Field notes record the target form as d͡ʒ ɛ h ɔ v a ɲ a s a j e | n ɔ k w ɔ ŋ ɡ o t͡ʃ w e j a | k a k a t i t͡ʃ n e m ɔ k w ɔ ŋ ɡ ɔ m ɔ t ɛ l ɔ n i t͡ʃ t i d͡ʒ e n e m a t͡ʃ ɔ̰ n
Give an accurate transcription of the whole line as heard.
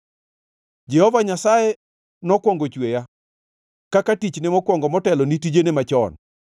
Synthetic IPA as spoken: d͡ʒ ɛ h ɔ v a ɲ a s a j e | n ɔ k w ɔ ŋ ɡ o t͡ʃ w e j a | k a k a t i t͡ʃ n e m ɔ k w ɔ ŋ ɡ ɔ m ɔ t ɛ l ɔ n i t i d͡ʒ e n e m a t͡ʃ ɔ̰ n

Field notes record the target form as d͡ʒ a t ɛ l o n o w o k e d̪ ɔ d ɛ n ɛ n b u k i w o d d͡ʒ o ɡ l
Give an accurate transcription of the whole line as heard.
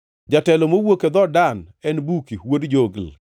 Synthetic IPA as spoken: d͡ʒ a t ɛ l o m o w o k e d̪ ɔ d a n ɛ n b u k i w o d d͡ʒ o ɡ l

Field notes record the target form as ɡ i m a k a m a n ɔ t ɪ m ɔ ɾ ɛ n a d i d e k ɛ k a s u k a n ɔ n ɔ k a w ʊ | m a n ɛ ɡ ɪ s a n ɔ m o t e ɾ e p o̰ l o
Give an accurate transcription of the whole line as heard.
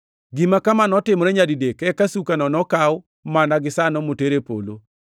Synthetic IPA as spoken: ɡ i m a k a m a n ɔ t ɪ m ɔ ɾ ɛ ɲ a d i d e k ɛ k a s u k a n ɔ n ɔ k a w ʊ | m a n a ɡ ɪ s a n ɔ m o t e ɾ e p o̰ l o

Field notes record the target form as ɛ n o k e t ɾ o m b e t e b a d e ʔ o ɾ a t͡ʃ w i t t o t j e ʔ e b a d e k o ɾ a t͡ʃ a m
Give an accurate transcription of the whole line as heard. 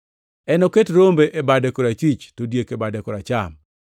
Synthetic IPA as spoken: ɛ n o k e t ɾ o m b e ʔ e b a d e k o ɾ a t͡ʃ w i t͡ʃ t o d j e k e b a d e k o ɾ a t͡ʃ a m

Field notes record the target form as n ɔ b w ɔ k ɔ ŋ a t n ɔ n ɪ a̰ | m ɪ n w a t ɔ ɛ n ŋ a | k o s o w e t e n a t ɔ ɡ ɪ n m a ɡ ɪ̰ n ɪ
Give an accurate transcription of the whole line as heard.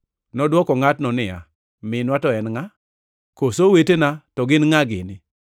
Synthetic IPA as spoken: n ɔ d w ɔ k ɔ ŋ a t n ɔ n ɪ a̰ | m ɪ n w a t ɔ ɛ n ŋ a | k o s o w e t e n a t ɔ ɡ ɪ n ŋ a ɡ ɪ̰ n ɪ

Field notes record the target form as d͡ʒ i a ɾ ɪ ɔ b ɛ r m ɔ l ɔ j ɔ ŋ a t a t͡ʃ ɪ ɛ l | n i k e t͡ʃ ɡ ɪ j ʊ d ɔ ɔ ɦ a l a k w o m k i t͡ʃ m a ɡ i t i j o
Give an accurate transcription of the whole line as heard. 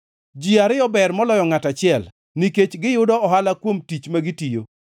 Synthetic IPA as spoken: d͡ʒ i a ɾ ɪ ɔ b ɛ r m ɔ l ɔ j ɔ ŋ a t a t͡ʃ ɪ ɛ l | n i k e t͡ʃ ɡ ɪ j ʊ d ɔ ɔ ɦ a l a k w o m t i t͡ʃ m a ɡ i t i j o

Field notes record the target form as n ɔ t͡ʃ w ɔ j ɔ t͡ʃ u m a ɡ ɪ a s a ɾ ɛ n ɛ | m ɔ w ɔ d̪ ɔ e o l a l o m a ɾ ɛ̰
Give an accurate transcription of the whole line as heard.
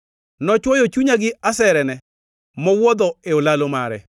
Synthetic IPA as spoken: n ɔ t͡ʃ w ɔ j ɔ t͡ʃ u ɲ a ɡ ɪ a s ɛ ɾ ɛ n ɛ | m ɔ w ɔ d̪ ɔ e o l a l o m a ɾ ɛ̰

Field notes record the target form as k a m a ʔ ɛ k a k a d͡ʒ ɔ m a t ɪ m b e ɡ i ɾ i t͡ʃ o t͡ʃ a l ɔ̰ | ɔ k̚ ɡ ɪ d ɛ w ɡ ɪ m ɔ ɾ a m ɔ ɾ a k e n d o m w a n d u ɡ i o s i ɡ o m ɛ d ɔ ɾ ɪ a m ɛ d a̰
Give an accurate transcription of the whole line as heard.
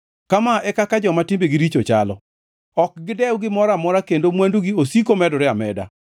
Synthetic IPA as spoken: k a m a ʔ ɛ k a k a d͡ʒ ɔ m a t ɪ m b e ɡ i ɾ i t͡ʃ o t͡ʃ a l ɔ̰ | ɔ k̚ ɡ ɪ d ɛ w ɡ ɪ m ɔ ɾ a m ɔ ɾ a k e n d o m w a n d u ɡ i o s i k o m ɛ d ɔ ɾ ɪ a m ɛ d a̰

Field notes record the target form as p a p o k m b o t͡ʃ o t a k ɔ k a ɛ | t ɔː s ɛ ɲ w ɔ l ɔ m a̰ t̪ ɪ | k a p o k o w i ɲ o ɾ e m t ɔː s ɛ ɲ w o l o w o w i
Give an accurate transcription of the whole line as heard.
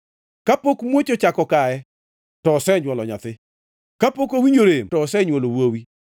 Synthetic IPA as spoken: k a p o k m w o t͡ʃ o t͡ʃ a k ɔ k a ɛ | t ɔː s ɛ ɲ w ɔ l ɔ ɲ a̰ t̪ ɪ | k a p o k o w i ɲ o ɾ e m t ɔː s ɛ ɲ w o l o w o w i

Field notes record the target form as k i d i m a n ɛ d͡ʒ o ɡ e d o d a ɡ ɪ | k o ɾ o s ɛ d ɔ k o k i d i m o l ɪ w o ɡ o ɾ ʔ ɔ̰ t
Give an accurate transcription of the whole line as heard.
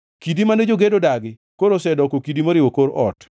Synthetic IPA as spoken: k i d i m a n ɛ d͡ʒ o ɡ e d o d a ɡ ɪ | k o ɾ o s ɛ d ɔ k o k i d i m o ɾ ɪ w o k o ɾ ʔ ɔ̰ t

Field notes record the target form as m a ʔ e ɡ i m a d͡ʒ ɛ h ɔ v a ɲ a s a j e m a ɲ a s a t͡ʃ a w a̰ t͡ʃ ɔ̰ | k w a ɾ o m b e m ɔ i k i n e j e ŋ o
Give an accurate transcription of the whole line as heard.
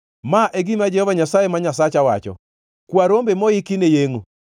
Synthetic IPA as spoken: m a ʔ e ɡ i m a d͡ʒ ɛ h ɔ v a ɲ a s a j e m a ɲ a s a t͡ʃ a w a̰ t͡ʃ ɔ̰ | k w a ɾ o m b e m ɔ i k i n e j e ŋ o

